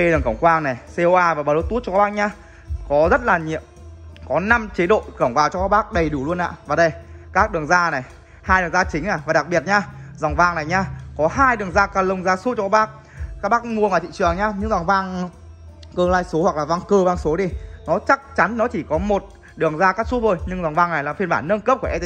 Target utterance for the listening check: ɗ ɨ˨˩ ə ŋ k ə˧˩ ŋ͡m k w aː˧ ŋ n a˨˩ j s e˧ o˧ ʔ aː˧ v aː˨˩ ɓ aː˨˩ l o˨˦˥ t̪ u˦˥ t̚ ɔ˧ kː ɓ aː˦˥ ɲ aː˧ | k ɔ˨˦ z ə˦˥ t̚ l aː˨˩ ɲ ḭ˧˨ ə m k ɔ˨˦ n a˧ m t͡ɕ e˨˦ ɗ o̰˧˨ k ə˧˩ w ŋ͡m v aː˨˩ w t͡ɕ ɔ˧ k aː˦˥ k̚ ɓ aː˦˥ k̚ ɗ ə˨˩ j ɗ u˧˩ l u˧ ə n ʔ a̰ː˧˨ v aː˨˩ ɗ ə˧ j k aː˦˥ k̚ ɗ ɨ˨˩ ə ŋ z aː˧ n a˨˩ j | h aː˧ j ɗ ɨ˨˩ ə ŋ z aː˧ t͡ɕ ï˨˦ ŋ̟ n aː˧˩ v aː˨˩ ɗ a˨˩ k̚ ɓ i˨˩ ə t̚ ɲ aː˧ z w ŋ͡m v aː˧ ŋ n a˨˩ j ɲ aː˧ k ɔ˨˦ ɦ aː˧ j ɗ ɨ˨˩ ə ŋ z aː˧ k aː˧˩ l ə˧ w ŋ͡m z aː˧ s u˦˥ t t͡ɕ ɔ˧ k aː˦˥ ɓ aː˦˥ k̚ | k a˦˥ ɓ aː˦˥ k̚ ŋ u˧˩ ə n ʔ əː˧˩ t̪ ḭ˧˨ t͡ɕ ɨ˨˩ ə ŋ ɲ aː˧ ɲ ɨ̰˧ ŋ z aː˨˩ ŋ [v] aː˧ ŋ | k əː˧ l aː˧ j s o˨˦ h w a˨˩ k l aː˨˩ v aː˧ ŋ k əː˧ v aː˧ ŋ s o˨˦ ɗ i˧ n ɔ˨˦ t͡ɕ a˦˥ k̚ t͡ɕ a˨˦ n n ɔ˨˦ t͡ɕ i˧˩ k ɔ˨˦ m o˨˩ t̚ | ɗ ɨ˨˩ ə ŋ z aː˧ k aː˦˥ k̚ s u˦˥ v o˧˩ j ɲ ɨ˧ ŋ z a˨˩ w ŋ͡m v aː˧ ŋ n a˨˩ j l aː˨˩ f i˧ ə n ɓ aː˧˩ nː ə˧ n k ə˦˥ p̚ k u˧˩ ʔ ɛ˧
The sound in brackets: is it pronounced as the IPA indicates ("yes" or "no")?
yes